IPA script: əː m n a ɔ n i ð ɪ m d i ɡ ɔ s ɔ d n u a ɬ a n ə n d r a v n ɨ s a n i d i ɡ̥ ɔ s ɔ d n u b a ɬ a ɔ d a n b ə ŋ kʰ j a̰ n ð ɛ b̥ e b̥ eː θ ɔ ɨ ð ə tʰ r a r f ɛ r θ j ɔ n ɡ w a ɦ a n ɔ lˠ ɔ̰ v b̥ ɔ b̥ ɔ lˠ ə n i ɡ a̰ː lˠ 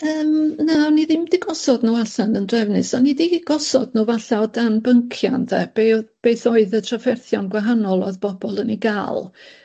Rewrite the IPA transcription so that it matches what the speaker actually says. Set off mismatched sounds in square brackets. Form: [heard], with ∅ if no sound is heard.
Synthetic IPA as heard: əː m n a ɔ n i ð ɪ m d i ɡ ɔ s ɔ d n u a ɬ a n ə n d r [ɛ] v n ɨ s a n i d i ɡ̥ ɔ s ɔ d n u [v] a ɬ a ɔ d a n b ə ŋ kʰ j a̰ n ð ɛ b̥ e b̥ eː θ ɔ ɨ ð ə tʰ r a [∅] f ɛ r θ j ɔ n ɡ w a ɦ a n ɔ lˠ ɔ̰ [ð] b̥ ɔ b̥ ɔ lˠ ə n i ɡ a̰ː lˠ